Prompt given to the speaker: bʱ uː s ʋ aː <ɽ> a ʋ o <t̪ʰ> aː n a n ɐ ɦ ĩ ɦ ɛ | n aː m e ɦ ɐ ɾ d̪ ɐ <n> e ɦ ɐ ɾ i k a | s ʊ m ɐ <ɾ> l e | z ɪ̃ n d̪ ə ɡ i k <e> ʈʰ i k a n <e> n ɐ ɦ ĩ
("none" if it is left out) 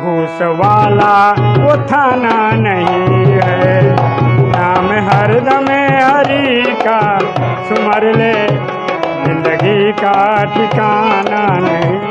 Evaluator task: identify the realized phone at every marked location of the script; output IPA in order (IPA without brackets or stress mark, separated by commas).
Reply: l, t̪ʰ, m, ɾ, a, a